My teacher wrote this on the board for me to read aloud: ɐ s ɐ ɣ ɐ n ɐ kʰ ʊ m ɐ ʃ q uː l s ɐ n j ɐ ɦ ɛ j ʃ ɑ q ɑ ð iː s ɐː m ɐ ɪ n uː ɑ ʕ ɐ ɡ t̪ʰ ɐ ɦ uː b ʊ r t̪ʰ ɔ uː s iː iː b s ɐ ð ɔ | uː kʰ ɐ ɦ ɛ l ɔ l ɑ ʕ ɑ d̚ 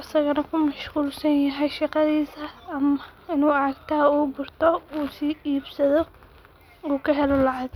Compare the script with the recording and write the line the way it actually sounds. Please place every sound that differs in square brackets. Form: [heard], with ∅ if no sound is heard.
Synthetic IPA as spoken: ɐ s ɐ ɣ ɐ n ɐ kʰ ʊ m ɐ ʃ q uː l s ɐ n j ɐ ɦ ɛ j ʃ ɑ q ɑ ð iː s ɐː m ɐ ɪ n uː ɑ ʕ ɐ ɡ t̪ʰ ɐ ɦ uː b ʊ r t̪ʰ ɔ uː s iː iː b s ɐ ð ɔ | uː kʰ ɐ ɦ ɛ l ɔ l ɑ ʕ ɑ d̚